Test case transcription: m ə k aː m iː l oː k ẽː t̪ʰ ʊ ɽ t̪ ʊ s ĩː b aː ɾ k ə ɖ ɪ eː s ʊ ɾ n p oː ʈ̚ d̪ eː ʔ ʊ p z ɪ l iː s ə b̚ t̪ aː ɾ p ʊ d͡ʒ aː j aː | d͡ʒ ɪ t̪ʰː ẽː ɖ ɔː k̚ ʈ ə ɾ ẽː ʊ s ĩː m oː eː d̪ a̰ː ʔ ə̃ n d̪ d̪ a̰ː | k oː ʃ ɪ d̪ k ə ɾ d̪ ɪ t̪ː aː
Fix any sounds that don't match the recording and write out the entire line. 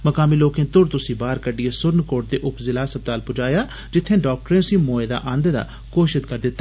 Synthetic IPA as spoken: m ə k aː m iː l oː k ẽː t̪ ʊ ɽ t̪ ʊ s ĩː b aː ɾ k ə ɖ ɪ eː s ʊ ɾ n k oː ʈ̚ d̪ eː ʔ ʊ p z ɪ l aː s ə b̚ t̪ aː l p ʊ d͡ʒ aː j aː | d͡ʒ ɪ t̪ʰː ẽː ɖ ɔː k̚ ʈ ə ɾ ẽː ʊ s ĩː m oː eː d̪ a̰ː ʔ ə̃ n d̪ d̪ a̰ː | k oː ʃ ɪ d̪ k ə ɾ d̪ ɪ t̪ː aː